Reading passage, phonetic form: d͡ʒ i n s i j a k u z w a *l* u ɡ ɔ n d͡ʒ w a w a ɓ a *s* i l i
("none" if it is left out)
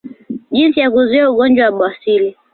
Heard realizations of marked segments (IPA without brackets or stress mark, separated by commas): none, s